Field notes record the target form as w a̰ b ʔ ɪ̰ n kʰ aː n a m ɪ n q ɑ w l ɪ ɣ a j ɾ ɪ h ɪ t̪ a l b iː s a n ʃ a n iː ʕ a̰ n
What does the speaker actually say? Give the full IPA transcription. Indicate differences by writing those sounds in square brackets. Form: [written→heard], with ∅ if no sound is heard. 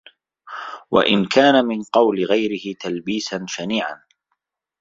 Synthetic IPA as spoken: w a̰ [b→∅] ʔ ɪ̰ n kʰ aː n a m ɪ n q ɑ w l ɪ ɣ a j ɾ ɪ h ɪ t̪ a l b iː s a n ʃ a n iː ʕ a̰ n